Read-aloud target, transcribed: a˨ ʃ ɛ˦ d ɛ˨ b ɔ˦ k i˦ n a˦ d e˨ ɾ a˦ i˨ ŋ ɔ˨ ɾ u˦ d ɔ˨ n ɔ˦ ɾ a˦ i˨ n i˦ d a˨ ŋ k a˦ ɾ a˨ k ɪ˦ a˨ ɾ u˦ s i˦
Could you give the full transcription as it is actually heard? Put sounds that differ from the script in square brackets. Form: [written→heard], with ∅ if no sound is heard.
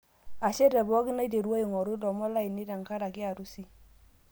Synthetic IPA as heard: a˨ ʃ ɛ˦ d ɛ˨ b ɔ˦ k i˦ n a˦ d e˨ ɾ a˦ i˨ ŋ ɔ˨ ɾ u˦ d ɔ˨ [n→m] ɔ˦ [ɾ→l] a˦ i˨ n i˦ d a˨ ŋ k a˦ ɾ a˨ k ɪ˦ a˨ ɾ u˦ s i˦

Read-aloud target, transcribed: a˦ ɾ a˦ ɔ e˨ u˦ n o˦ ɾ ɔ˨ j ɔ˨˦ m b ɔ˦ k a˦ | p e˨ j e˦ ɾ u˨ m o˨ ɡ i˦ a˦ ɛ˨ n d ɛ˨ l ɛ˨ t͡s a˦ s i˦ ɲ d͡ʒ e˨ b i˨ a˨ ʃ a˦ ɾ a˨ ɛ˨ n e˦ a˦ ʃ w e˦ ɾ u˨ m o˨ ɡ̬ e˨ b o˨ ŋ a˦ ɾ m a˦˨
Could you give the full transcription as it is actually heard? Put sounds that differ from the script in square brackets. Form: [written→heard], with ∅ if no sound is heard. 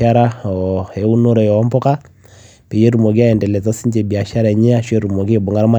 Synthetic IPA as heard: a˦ ɾ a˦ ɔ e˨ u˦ n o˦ ɾ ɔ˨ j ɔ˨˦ m b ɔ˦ k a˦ | p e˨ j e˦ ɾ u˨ m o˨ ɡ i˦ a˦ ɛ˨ n d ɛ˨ l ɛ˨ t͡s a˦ s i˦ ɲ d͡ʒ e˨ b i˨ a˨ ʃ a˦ ɾ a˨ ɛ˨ [n→ɲ] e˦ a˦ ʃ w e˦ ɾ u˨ m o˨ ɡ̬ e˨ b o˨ ŋ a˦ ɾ m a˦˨

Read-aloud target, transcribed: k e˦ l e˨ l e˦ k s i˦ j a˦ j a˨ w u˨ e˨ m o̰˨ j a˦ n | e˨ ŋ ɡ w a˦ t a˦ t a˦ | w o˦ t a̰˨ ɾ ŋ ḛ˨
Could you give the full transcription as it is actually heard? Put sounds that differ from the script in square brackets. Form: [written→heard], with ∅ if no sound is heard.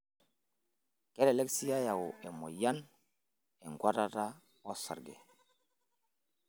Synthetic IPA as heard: k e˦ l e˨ l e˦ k s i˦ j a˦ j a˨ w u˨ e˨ m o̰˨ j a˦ n | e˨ ŋ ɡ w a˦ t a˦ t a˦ | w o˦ [t→s] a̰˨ ɾ [ŋ→ɡ] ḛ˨

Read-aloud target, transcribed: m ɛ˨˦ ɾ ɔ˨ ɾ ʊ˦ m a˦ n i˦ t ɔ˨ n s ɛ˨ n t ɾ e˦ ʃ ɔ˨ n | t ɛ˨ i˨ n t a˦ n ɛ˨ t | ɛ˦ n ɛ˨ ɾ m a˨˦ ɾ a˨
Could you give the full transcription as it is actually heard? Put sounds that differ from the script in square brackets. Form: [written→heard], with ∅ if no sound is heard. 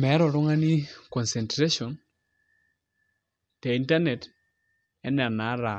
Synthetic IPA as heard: m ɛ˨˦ ɾ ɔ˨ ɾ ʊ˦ [m→ŋ] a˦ n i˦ [t→k] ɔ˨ n s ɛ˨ n t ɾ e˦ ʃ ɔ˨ n | t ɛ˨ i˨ n t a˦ n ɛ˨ t | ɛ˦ n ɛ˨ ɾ [m→n] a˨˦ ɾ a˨

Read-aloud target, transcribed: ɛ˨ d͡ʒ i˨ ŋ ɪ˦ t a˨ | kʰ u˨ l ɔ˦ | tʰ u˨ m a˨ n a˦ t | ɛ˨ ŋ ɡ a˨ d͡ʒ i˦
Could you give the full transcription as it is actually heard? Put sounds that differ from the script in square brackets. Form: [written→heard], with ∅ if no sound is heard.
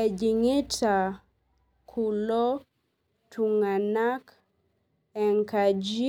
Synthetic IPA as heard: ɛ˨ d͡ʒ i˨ ŋ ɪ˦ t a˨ | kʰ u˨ l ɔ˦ | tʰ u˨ [m→ŋ] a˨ n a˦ [t→k] | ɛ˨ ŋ [ɡ→k] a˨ d͡ʒ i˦

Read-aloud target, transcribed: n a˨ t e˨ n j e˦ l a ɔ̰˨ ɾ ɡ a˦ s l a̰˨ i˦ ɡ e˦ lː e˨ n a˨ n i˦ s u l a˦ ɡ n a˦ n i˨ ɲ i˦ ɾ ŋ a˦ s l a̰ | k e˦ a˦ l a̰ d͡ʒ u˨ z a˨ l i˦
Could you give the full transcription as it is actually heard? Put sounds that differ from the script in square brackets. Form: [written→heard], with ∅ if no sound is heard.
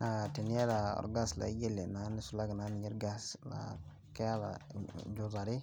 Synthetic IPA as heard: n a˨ t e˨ n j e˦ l a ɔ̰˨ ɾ ɡ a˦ s l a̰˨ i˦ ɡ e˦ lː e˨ n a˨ n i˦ s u l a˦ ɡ n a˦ n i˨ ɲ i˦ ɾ [ŋ→ɡ] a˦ s l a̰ | k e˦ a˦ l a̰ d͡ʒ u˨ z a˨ [l→ɾ] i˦

